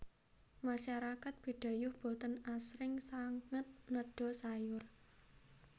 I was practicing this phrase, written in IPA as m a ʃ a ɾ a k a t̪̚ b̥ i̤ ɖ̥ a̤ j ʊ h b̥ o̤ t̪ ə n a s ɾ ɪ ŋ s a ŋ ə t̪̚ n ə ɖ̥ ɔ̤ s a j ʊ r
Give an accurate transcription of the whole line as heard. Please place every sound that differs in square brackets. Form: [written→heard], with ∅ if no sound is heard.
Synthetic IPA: m a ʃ a ɾ a k a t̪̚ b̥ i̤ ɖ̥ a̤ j ʊ h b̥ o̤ t̪ ə n a s ɾ ɪ ŋ s a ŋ ə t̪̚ n ə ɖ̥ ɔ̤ s a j ʊ r

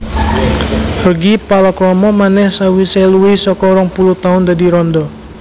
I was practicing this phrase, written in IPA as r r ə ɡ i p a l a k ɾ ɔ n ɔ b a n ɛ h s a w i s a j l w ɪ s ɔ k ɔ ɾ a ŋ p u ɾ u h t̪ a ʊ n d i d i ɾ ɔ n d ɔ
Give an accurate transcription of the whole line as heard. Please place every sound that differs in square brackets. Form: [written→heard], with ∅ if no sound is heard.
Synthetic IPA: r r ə ɡ i p a l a k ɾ ɔ [n→m] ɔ [b→m] a n ɛ h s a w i s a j l [w→u] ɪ s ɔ k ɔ ɾ a ŋ p u [ɾ→l] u h t̪ a ʊ n d [i→a] d i ɾ ɔ n d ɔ

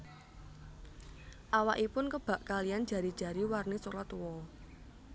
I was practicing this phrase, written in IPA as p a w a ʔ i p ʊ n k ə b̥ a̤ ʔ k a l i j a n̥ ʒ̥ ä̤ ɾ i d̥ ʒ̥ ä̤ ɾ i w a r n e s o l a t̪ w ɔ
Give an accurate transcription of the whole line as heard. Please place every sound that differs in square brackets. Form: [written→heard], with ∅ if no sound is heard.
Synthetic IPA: [p→ʔ] a w a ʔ i p ʊ n k ə b̥ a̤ ʔ k a l i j a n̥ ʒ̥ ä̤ ɾ i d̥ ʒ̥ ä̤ ɾ i w a r n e s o l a t̪ w ɔ

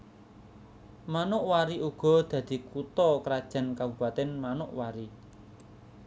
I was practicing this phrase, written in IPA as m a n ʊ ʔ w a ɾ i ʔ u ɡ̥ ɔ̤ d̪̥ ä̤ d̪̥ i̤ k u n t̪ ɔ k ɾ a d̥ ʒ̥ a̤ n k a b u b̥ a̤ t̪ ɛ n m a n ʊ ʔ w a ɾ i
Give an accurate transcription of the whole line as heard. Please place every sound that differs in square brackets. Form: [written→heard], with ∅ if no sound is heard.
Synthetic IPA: m a n ʊ ʔ w a ɾ i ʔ u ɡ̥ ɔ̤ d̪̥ ä̤ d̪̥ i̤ k u [n→∅] t̪ ɔ k ɾ a d̥ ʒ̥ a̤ n k a b u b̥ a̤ t̪ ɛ n m a n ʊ ʔ w a ɾ i

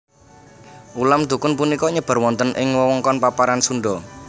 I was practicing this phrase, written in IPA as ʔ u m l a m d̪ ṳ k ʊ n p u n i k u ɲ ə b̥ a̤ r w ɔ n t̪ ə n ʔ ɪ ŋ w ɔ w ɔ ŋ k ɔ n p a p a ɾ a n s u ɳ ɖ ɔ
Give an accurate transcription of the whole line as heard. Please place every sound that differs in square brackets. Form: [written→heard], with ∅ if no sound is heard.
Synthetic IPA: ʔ u [m→∅] l a m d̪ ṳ k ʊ n p u n i k [u→ɔ] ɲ ə b̥ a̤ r w ɔ n t̪ ə n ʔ ɪ ŋ w ɔ w ɔ ŋ k ɔ n p a p a ɾ a n s u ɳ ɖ ɔ

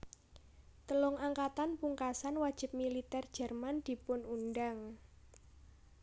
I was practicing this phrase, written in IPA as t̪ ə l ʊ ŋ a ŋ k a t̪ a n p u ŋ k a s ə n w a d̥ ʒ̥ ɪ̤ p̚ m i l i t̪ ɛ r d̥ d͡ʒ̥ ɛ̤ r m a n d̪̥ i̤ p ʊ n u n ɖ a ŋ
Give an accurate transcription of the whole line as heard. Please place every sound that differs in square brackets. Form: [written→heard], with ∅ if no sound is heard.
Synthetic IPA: t̪ ə l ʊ ŋ a ŋ k a t̪ a n p u ŋ k a s [ə→a] n w a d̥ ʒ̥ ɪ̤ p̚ m i l i t̪ ɛ r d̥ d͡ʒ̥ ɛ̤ r m a n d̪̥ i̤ p ʊ n u n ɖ a ŋ

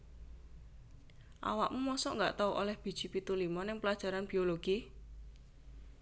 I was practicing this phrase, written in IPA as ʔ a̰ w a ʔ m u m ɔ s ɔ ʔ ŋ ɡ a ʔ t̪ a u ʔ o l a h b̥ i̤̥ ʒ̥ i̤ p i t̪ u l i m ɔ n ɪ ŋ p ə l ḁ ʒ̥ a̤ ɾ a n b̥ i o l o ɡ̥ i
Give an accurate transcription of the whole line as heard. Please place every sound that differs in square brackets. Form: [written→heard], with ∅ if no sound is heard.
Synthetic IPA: ʔ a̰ w a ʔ m u m ɔ s ɔ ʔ ŋ ɡ a ʔ t̪ a u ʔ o l [a→ɛ] h b̥ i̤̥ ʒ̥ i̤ p i t̪ u l i m ɔ n ɪ ŋ p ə l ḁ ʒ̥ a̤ ɾ a n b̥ i o l o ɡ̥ i

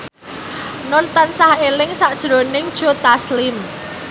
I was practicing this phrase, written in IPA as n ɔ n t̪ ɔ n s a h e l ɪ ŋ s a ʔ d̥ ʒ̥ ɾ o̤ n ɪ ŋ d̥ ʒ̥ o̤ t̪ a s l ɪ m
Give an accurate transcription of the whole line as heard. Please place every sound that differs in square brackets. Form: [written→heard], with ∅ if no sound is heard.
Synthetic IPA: n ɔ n t̪ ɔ n s a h e l ɪ ŋ s a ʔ d̥ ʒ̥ ɾ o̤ n ɪ ŋ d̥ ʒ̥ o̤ t̪ a s l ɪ m

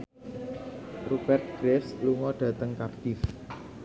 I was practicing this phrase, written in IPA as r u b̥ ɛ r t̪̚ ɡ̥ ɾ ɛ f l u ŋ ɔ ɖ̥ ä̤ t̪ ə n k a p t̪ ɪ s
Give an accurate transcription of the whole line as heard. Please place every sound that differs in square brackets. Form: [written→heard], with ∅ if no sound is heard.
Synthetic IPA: r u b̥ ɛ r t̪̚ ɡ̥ ɾ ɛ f l u ŋ ɔ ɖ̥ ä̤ t̪ ə [n→ŋ] k a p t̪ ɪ [s→f]

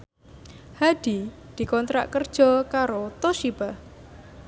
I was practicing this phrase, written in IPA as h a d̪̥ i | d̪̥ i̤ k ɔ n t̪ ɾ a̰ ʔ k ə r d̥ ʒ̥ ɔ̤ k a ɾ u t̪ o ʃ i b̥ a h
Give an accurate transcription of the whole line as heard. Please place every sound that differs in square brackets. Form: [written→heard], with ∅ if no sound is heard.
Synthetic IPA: h a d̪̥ i | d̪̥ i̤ k ɔ n t̪ ɾ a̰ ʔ k ə r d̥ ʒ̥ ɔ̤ k a ɾ [u→o] t̪ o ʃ i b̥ a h

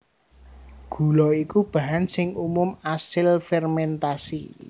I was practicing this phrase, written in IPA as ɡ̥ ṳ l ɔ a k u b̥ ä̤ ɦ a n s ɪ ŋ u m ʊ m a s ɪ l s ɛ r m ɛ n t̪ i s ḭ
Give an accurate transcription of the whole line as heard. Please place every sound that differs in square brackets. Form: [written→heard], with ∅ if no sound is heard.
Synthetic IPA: ɡ̥ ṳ l ɔ [a→i] k u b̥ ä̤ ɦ a n s ɪ ŋ u m ʊ m a s ɪ l [s→f] ɛ r m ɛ n t̪ [i→a] s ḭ

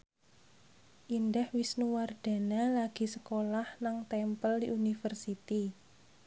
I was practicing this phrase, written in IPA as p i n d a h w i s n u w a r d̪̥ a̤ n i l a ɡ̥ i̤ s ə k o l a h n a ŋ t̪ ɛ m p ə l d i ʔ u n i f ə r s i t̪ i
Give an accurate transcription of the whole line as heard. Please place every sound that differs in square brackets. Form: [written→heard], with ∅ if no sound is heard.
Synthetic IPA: [p→ʔ] i n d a h w i s n u w a r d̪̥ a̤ n [i→a] l a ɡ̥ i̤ s ə k o l a h n a ŋ t̪ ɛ m p ə l d i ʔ u n i f ə r s i t̪ i

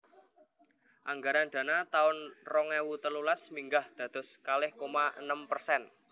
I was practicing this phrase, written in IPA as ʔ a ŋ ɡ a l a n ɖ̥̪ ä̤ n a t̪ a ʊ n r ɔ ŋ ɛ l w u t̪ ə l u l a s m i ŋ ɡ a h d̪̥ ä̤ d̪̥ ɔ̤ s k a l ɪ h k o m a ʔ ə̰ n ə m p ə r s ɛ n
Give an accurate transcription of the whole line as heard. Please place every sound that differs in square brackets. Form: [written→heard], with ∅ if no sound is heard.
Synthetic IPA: ʔ a ŋ ɡ a [l→ɾ] a n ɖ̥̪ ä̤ n a t̪ a ʊ n r ɔ ŋ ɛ [l→∅] w u t̪ ə l u l a s m i ŋ ɡ a h d̪̥ ä̤ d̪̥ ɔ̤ s k a l ɪ h k o m a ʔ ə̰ n ə m p ə r s ɛ n

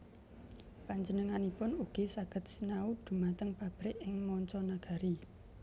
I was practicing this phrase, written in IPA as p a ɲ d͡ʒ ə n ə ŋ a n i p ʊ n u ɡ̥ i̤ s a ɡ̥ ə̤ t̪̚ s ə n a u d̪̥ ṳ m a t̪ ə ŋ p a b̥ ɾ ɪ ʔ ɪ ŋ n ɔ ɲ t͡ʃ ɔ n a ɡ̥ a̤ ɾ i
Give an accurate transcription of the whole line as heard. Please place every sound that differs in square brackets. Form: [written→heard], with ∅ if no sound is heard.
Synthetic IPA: p a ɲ d͡ʒ ə n ə ŋ a n i p ʊ n u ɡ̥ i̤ s a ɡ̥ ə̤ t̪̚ s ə n a u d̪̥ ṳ m a t̪ ə ŋ p a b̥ ɾ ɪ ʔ ɪ ŋ [n→m] ɔ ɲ t͡ʃ ɔ n a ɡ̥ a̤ ɾ i

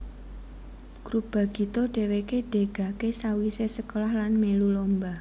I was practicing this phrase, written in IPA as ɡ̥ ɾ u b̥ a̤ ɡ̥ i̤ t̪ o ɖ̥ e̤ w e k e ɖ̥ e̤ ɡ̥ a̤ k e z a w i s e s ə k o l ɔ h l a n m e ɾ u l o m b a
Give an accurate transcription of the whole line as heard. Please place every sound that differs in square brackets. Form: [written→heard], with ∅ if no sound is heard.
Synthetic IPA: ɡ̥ ɾ u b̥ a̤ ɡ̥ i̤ t̪ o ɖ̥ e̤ w e k e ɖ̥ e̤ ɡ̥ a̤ k e [z→s] a w i s e s ə k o l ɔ h l a n m e [ɾ→l] u l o m b a

